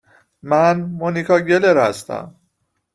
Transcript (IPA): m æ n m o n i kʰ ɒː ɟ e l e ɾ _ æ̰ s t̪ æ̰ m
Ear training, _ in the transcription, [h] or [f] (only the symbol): h